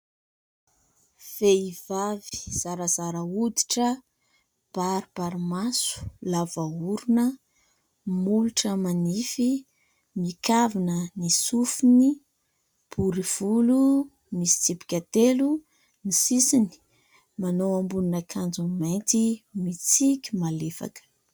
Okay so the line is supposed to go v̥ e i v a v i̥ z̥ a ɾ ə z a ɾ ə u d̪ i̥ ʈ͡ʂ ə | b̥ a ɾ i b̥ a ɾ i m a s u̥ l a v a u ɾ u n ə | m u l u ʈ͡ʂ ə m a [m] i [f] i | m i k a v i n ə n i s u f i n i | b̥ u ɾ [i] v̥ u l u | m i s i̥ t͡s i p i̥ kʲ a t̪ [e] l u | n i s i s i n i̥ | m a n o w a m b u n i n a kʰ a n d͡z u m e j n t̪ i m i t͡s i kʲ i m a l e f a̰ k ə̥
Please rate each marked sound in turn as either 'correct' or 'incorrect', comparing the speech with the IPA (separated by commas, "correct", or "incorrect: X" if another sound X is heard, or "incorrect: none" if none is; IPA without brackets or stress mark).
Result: incorrect: n, correct, correct, correct